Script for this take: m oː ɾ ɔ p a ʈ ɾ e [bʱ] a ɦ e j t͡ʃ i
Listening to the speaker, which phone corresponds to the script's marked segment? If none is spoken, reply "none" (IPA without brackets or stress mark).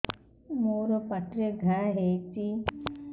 ɡʱ